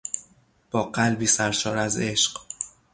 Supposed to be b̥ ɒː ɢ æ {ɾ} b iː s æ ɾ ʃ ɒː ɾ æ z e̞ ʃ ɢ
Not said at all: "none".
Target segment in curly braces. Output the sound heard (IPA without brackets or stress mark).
l